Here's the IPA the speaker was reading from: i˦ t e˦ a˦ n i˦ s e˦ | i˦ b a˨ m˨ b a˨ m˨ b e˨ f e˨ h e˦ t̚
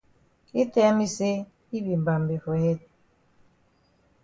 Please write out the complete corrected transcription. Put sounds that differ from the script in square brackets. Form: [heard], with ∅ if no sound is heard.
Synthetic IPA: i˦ t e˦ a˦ [m] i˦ s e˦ | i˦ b [i˨] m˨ b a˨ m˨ b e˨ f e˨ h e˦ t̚